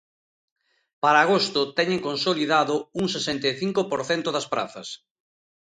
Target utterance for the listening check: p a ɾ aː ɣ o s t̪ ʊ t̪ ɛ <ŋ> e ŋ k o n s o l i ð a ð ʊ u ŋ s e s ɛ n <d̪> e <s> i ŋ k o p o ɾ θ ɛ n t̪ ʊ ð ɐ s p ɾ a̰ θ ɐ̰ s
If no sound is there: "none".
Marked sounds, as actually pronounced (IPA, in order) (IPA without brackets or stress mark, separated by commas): ɲ, t̪, θ